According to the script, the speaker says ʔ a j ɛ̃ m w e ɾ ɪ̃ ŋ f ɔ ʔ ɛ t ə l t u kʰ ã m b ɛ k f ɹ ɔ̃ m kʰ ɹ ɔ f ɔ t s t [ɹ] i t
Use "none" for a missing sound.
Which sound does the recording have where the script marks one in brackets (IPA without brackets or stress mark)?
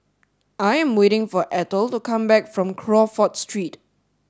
ɹ